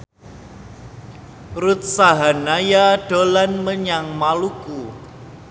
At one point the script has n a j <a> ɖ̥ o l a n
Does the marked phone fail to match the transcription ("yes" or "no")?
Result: no